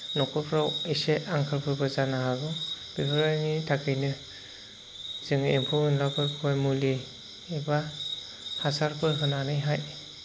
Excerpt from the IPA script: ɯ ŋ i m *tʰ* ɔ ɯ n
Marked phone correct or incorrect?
incorrect